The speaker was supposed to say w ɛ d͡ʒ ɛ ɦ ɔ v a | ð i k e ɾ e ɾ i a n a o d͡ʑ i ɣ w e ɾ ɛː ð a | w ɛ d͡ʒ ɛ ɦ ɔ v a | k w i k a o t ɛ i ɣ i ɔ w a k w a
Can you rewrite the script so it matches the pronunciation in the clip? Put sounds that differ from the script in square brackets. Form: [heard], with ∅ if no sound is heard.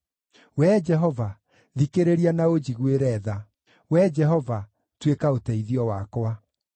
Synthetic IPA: w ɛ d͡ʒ ɛ ɦ ɔ v a | ð i k e ɾ e ɾ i a n a o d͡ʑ i ɣ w e ɾ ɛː ð a | w ɛ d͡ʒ ɛ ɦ ɔ v a | [t] w [e] k a o t ɛ i [ð] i ɔ w a k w a